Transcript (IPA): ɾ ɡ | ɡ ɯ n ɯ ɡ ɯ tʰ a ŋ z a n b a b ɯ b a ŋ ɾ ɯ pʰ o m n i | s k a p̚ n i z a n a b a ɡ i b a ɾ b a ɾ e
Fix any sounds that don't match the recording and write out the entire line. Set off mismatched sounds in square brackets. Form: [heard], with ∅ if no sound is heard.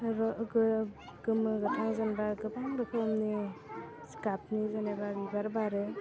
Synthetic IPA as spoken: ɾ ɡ | ɡ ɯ [m] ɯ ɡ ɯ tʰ a ŋ z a n b a [ɡ] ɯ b a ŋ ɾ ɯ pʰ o m n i | s k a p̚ n i z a n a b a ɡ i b a ɾ b a ɾ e